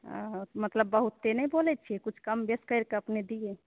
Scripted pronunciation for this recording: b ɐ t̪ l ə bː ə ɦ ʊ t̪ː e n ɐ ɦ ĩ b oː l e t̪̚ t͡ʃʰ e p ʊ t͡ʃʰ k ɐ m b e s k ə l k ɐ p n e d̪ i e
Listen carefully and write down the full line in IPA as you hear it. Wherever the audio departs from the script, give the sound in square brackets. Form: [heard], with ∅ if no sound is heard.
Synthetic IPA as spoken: [m] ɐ t̪ l ə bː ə ɦ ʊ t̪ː e n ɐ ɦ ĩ b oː l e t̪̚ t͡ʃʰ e [k] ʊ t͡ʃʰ k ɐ m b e s k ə [ɾ] k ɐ p n e d̪ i e